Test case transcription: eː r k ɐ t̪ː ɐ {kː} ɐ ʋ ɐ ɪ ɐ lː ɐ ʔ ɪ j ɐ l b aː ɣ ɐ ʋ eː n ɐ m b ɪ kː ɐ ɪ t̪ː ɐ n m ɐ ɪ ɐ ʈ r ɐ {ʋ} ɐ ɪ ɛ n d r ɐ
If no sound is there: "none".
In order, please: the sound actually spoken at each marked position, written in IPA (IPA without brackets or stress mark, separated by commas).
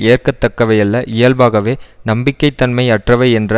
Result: kː, ʋ